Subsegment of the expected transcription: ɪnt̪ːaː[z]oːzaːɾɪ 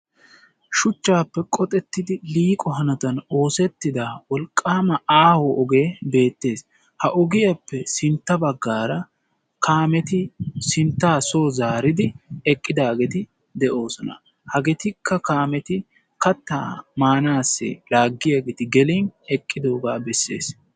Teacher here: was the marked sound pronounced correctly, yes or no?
no